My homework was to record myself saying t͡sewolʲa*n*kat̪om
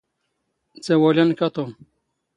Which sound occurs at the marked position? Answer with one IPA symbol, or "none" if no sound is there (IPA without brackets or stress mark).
n